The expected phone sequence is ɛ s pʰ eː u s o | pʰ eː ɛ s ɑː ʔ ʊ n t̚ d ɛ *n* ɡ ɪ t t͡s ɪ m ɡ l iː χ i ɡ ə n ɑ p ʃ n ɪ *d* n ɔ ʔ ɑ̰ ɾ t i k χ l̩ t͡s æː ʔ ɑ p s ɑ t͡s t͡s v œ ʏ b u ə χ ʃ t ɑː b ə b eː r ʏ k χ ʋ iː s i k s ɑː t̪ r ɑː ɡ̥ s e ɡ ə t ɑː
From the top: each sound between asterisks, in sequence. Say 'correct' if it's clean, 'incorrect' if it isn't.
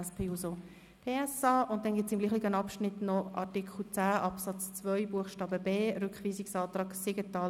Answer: correct, incorrect: t

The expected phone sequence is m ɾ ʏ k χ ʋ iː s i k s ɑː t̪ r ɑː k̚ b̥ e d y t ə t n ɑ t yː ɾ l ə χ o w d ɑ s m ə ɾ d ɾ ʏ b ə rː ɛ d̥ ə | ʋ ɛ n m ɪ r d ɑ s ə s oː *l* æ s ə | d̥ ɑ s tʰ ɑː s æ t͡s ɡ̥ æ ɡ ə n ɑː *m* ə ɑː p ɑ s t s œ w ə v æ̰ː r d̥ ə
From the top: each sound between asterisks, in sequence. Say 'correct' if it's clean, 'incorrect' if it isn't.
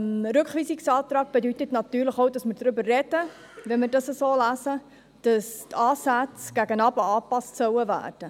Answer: correct, incorrect: b

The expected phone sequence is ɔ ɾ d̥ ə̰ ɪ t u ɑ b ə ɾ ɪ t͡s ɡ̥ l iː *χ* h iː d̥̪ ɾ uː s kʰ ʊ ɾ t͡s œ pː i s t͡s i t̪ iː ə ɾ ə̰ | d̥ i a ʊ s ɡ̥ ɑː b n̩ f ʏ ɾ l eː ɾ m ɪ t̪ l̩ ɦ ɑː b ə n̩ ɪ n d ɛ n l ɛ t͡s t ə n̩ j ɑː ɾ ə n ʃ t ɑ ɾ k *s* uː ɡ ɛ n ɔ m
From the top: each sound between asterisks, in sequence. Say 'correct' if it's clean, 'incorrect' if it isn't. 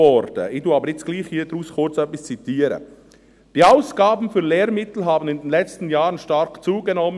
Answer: correct, incorrect: t͡s

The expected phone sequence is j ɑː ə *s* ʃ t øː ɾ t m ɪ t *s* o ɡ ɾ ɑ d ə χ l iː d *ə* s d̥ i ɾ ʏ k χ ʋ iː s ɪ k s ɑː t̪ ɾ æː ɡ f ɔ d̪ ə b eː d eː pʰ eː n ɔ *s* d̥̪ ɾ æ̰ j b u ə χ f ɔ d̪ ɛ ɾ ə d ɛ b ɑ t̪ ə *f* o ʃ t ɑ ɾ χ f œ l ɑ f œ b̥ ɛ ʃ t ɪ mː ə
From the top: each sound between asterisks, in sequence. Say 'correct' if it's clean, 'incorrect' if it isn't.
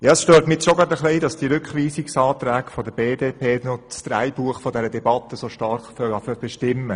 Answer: correct, incorrect: ʃ, incorrect: ɑ, correct, incorrect: s

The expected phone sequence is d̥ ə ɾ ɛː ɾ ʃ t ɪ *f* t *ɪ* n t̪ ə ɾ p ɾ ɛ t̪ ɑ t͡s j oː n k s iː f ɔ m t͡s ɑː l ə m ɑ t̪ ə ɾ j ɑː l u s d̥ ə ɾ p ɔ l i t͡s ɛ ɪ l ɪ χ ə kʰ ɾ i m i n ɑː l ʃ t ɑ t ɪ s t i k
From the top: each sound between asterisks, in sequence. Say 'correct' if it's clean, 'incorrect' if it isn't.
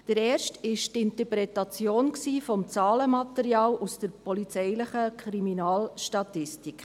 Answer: incorrect: ʃ, correct

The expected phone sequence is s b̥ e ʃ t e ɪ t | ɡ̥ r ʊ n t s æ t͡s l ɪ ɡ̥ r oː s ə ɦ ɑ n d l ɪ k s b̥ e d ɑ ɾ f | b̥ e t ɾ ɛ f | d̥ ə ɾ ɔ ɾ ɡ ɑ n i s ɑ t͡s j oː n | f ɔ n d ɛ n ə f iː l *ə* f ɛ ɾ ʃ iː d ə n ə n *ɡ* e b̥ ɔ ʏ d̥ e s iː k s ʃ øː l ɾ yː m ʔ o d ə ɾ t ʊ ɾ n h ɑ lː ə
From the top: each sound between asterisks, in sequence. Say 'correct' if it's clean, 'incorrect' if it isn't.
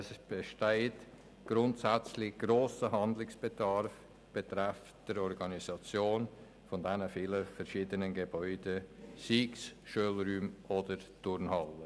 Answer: correct, correct

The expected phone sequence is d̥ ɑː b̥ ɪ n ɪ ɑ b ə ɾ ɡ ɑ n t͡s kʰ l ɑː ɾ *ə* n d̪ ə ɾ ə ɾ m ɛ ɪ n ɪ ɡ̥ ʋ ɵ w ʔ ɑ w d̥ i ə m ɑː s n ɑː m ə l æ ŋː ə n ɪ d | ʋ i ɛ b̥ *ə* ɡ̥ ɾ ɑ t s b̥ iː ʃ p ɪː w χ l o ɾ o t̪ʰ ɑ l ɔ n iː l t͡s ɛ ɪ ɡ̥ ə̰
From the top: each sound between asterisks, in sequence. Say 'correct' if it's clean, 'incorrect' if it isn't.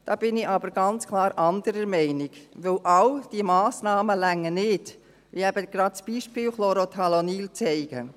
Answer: incorrect: ɑ, correct

